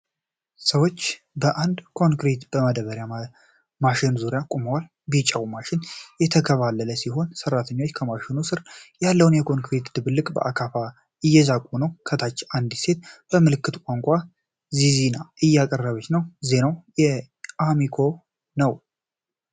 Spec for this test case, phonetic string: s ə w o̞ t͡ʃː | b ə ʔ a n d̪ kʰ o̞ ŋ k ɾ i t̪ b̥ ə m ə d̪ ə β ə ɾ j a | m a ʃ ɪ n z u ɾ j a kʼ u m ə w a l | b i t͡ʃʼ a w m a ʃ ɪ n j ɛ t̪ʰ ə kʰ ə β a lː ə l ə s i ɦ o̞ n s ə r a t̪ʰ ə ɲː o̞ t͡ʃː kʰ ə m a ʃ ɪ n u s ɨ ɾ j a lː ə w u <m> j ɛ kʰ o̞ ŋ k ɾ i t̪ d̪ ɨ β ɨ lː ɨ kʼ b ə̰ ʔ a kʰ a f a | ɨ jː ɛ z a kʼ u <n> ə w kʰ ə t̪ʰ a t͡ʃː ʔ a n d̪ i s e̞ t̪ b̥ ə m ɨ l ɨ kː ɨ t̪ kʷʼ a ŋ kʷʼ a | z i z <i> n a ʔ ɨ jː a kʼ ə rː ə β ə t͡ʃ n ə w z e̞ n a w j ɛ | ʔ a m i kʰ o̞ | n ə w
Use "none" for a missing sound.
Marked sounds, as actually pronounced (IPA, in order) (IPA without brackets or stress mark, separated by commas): n, n, i